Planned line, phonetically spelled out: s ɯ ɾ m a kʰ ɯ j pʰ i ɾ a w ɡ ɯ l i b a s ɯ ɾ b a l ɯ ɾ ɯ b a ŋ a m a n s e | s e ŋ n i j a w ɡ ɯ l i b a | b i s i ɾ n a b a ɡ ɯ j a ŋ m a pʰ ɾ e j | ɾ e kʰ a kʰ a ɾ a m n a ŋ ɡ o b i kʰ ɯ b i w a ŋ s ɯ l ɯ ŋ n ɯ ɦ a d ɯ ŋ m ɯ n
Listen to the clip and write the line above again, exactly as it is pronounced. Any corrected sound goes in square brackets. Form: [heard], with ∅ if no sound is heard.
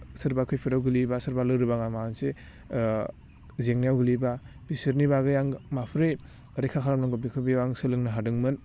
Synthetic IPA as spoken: s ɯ ɾ [b] a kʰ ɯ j pʰ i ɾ a w ɡ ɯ l i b a s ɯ ɾ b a l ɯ ɾ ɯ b a ŋ a m a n s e | [z] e ŋ n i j a w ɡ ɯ l i b a | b i s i ɾ n [i] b a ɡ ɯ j a ŋ m a pʰ ɾ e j | ɾ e kʰ a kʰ a ɾ a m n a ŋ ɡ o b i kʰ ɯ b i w a ŋ s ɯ l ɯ ŋ n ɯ ɦ a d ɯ ŋ m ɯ n